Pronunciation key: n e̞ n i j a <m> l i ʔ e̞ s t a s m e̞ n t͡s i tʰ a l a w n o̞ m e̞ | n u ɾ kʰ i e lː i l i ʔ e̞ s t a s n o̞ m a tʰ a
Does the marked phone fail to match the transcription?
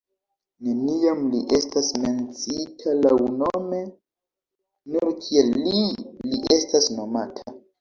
no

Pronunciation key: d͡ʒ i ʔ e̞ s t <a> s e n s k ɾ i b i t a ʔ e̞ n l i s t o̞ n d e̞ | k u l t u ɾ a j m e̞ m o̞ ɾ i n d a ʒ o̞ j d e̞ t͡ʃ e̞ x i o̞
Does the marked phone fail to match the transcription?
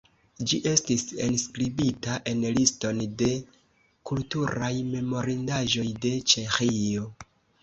yes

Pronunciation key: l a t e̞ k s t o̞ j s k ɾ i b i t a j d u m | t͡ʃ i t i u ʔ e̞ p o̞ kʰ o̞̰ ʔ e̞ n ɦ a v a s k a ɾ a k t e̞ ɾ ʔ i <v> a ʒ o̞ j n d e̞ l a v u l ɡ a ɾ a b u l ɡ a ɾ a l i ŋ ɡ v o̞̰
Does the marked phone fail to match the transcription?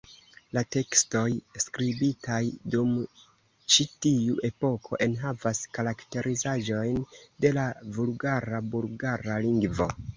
yes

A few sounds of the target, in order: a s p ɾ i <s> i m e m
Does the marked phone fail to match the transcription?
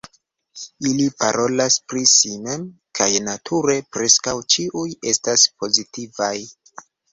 no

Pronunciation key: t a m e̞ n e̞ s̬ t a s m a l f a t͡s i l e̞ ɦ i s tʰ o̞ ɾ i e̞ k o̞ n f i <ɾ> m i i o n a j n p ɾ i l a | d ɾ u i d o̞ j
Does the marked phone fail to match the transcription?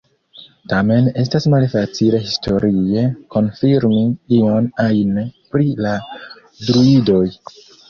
no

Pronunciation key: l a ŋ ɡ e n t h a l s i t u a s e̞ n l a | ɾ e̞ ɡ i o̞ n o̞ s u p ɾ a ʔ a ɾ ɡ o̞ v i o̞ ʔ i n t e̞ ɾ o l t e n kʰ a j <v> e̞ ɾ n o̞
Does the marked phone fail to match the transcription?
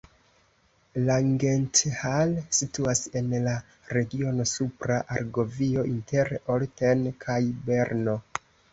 yes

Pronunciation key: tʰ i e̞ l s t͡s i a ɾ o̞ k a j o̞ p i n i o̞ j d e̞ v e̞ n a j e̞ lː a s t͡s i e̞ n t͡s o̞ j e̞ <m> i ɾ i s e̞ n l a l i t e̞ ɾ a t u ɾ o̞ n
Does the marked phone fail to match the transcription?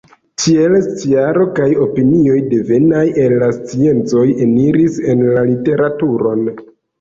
yes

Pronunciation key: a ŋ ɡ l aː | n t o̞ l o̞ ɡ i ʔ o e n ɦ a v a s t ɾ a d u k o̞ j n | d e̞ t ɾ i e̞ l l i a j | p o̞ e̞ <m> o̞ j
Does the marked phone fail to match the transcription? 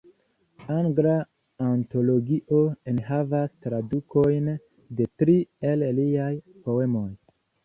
no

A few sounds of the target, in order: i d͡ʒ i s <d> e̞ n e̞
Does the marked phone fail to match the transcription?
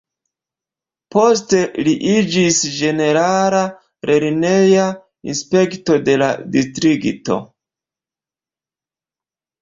yes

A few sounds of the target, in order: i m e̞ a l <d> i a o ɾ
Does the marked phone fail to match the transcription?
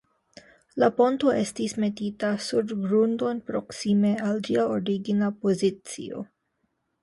yes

